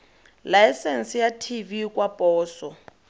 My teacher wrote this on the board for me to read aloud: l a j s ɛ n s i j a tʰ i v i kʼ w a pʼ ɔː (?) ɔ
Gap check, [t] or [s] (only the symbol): s